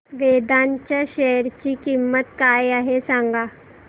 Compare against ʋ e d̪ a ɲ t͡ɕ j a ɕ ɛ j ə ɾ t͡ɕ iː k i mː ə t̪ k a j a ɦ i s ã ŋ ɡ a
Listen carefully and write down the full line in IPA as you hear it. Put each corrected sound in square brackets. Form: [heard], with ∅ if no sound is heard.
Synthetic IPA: ʋ e d̪ a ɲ t͡ɕ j a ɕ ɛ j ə ɾ t͡ɕ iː k i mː ə t̪ k a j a ɦ [e] s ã ŋ ɡ a